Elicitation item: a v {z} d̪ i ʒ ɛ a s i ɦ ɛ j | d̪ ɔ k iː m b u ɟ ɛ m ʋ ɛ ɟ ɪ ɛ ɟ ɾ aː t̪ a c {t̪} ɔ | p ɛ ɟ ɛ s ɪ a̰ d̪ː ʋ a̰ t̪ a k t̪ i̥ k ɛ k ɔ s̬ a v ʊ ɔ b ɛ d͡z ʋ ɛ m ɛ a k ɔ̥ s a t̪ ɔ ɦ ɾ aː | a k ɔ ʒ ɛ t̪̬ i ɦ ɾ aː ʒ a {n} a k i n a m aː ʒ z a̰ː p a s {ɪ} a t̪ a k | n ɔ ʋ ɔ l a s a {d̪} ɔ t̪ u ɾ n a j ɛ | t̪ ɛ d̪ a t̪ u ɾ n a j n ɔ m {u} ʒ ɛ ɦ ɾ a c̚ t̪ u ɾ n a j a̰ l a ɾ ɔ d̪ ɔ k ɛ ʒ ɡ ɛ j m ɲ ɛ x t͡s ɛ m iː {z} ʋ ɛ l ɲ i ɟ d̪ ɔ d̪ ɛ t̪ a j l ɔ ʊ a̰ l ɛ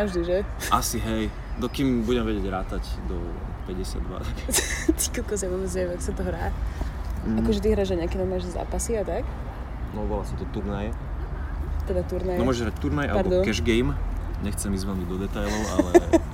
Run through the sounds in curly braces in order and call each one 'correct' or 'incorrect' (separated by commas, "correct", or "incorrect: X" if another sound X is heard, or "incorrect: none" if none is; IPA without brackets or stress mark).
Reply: incorrect: ʒ, incorrect: d̪, incorrect: ɲ, incorrect: i, incorrect: t̪, incorrect: ɔ, correct